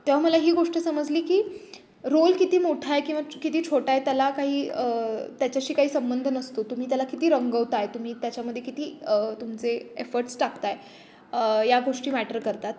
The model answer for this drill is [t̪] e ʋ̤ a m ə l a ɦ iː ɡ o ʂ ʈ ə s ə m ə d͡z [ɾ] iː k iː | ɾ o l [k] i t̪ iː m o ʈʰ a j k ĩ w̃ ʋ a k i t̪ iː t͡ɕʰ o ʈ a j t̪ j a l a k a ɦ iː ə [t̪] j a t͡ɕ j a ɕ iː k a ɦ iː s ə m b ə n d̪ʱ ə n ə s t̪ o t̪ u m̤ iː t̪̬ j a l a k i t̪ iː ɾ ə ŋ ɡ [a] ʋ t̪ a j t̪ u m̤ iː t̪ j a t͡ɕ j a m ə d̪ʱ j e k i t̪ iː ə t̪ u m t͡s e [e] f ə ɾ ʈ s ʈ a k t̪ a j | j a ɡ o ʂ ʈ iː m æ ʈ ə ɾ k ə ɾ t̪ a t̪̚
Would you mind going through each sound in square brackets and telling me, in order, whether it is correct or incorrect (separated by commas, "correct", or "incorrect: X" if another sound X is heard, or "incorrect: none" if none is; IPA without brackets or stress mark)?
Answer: correct, incorrect: l, correct, correct, incorrect: ə, correct